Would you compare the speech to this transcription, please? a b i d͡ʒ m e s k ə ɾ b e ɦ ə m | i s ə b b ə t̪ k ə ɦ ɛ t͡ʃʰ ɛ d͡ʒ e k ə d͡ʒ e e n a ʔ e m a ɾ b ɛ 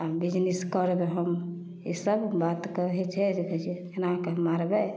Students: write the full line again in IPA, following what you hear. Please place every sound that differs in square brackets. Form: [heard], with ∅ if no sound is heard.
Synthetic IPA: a b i d͡ʒ [n] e s k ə ɾ b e ɦ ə m | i s ə b b [a] t̪ k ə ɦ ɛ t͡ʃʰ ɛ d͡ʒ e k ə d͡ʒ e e n a [k] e m a ɾ b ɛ

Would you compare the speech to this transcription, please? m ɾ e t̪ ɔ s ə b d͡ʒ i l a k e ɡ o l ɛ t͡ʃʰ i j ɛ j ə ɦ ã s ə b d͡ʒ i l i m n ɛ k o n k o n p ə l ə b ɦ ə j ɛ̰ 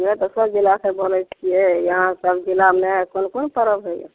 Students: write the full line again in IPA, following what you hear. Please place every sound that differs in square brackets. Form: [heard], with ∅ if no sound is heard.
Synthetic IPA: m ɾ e t̪ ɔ s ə b d͡ʒ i l a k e [b] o l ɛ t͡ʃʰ i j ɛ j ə ɦ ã s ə b d͡ʒ i l [a] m n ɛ k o n k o n p ə [ɾ] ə b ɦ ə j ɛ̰

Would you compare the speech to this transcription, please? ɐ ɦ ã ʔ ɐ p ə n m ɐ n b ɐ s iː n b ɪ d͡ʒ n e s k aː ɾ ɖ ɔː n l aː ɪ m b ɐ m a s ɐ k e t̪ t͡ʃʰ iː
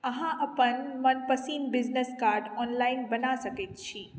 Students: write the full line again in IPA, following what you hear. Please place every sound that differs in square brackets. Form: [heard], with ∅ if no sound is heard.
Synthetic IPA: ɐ ɦ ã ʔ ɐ p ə n m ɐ n [p] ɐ s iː n b ɪ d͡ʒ n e s k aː ɾ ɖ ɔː n l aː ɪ [n] b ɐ [n] a s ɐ k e t̪ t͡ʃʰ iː

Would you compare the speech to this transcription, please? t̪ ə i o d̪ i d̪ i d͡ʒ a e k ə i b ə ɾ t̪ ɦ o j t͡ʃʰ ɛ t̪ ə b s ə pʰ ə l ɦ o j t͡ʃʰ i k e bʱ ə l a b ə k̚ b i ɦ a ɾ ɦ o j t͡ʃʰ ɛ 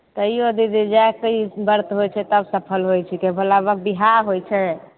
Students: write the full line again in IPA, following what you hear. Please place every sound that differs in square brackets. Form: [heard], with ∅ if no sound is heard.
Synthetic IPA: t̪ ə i o d̪ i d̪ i d͡ʒ a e k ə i b ə ɾ t̪ ɦ o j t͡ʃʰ ɛ t̪ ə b s ə pʰ ə l ɦ o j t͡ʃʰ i k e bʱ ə l a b ə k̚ b i ɦ a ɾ ɦ o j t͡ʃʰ ɛ

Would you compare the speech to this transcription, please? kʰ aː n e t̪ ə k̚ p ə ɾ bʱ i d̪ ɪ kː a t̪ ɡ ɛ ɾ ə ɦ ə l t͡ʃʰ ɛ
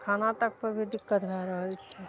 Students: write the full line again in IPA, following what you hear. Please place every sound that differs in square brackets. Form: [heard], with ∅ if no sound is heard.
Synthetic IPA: kʰ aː n [a] t̪ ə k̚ p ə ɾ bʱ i d̪ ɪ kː [ə] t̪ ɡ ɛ ɾ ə ɦ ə l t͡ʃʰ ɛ

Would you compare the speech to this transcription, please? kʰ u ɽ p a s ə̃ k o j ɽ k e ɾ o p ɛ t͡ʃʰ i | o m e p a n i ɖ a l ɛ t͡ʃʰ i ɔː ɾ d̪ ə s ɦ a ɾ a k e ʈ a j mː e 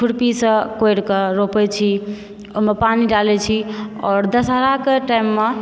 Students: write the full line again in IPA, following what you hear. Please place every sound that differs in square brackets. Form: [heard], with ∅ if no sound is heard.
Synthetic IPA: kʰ u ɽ p [i] s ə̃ k o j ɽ k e ɾ o p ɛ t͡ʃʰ i | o m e p a n i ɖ a l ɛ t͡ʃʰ i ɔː ɾ d̪ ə s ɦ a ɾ a k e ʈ a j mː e

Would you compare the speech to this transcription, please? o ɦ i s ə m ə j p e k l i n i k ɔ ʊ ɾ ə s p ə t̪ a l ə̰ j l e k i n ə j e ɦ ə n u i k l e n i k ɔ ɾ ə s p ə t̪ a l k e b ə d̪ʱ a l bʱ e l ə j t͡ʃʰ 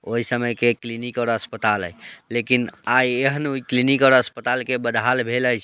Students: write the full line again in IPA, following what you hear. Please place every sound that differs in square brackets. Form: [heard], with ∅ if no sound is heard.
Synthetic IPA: o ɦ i s ə m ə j [k] e k l i n i k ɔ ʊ ɾ ə s p ə t̪ a l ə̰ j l e k i n [a] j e ɦ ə n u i k l [i] n i k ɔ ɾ ə s p ə t̪ a l k e b ə d̪ʱ a l bʱ e l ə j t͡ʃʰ

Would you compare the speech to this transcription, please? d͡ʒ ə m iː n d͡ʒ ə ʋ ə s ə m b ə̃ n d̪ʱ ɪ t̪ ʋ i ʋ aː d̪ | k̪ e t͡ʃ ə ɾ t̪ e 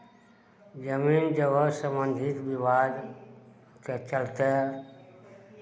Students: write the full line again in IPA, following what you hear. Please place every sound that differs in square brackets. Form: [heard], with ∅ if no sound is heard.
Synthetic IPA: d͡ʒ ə m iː n d͡ʒ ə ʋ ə s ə m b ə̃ n d̪ʱ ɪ t̪ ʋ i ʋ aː d̪ | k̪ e t͡ʃ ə [l] t̪ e

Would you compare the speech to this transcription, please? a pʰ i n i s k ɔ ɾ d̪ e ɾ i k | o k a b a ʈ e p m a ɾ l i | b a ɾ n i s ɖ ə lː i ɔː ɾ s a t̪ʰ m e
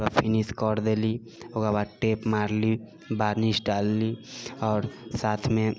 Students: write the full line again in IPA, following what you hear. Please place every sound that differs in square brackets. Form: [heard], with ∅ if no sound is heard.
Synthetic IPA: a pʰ i n i s k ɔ ɾ d̪ e [l] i [∅] | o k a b a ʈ e p m a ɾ l i | b a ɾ n i s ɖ [a] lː i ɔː ɾ s a t̪ʰ m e

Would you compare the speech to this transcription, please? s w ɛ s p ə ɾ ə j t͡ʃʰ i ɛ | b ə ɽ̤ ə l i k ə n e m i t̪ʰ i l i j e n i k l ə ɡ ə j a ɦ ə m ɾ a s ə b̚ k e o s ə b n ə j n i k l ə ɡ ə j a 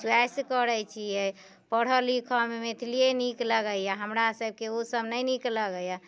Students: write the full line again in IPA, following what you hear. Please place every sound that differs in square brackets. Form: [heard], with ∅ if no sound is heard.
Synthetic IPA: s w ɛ s [k] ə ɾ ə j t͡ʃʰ i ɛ | [p] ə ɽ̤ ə l i [kʰ] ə [m] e m [e] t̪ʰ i l i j e n i k l ə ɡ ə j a ɦ ə m ɾ a s ə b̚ k e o s ə b n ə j n i k l ə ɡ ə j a

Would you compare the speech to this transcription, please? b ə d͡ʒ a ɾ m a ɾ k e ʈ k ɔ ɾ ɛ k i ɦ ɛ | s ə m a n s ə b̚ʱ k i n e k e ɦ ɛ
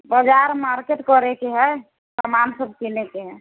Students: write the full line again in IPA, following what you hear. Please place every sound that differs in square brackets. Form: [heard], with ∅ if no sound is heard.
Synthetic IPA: b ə d͡ʒ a ɾ m a ɾ k e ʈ k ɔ ɾ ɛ k [e] ɦ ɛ | s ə m a n s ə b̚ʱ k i n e k e ɦ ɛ

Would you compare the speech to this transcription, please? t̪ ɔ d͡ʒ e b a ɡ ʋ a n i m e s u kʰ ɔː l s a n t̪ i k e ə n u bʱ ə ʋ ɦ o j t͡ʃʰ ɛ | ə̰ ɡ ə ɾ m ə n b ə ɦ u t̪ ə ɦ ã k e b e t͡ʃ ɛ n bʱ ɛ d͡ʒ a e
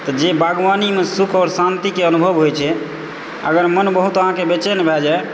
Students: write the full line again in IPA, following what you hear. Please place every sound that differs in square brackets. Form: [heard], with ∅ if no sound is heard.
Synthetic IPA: t̪ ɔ d͡ʒ e b a ɡ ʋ a n i m e s u kʰ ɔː [ɾ] s a n t̪ i k e ə n u bʱ ə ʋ ɦ o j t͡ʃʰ ɛ | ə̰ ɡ ə ɾ m ə n b ə ɦ u t̪ ə ɦ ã k e b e t͡ʃ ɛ n bʱ ɛ d͡ʒ a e

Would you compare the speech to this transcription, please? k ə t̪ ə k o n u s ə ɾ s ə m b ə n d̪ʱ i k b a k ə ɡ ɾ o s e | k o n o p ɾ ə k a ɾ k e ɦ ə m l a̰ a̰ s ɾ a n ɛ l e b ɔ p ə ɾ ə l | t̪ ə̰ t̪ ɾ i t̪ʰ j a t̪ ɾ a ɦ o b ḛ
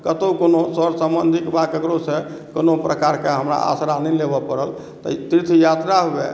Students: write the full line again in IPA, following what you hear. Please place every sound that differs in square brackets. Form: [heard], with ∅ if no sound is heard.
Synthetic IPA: k ə t̪ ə k o n [o] s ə ɾ s ə m b ə n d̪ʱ i k b a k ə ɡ ɾ o s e | k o n o p ɾ ə k a ɾ k e ɦ ə m [ɾ] a̰ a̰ s ɾ a n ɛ l e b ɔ p ə ɾ ə l | t̪ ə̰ t̪ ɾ i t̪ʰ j a t̪ ɾ a ɦ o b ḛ

